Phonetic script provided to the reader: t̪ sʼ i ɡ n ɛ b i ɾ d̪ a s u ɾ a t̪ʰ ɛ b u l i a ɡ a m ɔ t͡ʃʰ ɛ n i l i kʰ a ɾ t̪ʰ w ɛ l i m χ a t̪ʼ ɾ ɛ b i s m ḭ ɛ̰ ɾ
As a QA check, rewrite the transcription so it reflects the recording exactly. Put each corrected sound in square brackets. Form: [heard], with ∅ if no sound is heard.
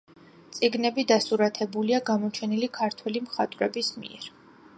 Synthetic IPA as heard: t̪ sʼ i ɡ n ɛ b i [∅] d̪ a s u ɾ a t̪ʰ ɛ b u l i a ɡ a m ɔ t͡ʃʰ ɛ n i l i kʰ a ɾ t̪ʰ w ɛ l i m χ a t̪ʼ ɾ ɛ b i s m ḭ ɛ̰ ɾ